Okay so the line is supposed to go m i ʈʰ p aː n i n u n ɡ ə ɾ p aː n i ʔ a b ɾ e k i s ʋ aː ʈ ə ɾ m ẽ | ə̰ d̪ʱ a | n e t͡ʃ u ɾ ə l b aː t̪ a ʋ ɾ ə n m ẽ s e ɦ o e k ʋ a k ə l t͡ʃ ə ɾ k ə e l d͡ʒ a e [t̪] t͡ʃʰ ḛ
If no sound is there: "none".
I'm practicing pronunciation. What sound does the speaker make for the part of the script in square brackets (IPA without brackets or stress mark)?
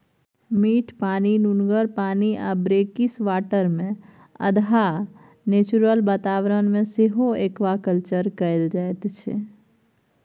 t̪